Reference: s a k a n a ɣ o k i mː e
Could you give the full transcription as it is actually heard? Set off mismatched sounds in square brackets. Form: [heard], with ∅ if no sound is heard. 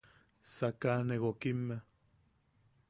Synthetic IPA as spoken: s a k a n [e] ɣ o k i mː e